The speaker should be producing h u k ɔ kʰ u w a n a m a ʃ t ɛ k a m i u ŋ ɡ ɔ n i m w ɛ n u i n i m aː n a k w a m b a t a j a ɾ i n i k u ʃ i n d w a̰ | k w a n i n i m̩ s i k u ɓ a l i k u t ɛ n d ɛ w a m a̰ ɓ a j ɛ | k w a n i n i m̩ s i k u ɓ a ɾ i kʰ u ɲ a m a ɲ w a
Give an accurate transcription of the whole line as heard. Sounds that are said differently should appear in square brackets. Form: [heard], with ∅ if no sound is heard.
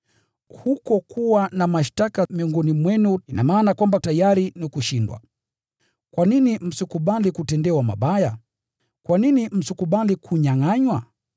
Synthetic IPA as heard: h u k ɔ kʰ u w a n a m a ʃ t [a] k a m i [ɔ] ŋ ɡ ɔ n i m w ɛ n u i n [a] m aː n a k w a m b a t a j a ɾ i n i k u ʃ i n d w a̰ | k w a n i n i m̩ s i k u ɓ a l i k u t ɛ n d ɛ w a m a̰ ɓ a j [a] | k w a n i n i m̩ s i k u ɓ a [l] i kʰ u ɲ a [ŋ] a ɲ w a